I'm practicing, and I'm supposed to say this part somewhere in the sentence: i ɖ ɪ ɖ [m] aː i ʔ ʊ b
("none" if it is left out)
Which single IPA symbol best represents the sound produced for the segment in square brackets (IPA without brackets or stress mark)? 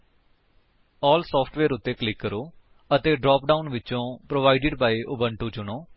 b